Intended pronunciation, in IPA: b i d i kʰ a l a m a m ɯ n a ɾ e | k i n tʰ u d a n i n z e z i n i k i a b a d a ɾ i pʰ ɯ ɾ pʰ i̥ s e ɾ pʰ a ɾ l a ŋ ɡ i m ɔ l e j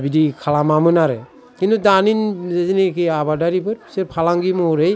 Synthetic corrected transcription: b i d i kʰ a l a m a m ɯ n a ɾ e | k i n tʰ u d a n i n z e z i n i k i a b a d a ɾ i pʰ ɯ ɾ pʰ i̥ s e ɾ pʰ a l a ŋ ɡ i m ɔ ɾ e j